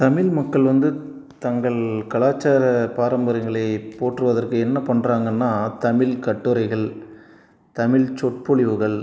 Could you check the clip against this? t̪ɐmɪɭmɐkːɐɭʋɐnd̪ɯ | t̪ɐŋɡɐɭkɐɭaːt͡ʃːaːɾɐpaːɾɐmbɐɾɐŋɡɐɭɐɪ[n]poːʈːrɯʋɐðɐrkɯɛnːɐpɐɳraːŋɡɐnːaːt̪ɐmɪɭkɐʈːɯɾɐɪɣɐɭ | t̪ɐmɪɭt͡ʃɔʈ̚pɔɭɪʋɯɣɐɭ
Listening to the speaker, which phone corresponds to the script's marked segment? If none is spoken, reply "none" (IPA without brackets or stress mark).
none